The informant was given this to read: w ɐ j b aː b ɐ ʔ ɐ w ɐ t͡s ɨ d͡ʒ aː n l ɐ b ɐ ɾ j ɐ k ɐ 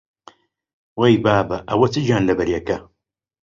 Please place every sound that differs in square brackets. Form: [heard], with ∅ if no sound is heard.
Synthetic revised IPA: w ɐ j b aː b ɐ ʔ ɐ w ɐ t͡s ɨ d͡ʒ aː n l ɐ b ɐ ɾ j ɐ k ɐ